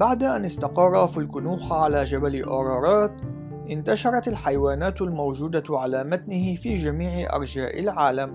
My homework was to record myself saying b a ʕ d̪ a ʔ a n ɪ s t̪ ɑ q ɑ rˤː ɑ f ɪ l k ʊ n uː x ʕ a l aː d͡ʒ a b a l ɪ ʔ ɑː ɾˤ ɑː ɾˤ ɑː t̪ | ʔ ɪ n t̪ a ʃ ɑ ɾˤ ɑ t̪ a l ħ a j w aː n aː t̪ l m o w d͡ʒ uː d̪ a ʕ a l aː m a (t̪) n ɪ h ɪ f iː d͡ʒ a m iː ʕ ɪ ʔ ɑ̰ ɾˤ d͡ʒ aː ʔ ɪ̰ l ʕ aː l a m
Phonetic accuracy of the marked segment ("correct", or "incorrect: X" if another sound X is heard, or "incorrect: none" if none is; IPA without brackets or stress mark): correct